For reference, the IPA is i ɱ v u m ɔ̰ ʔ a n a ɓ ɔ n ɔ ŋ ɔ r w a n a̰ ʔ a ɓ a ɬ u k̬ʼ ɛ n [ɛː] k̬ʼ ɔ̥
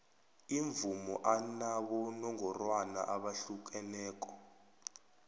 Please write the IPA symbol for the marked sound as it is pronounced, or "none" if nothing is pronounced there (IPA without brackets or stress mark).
ɛː